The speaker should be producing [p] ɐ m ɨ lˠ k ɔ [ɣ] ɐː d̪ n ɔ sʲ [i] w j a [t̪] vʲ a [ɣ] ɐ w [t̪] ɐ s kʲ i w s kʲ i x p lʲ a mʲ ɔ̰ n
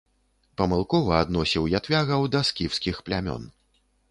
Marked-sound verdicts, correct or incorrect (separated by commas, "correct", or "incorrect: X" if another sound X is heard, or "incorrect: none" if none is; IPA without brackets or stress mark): correct, incorrect: v, correct, correct, correct, incorrect: d̪